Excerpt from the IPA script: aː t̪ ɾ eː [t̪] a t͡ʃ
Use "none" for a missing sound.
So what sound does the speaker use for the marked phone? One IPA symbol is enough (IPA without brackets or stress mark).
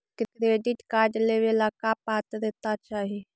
t̪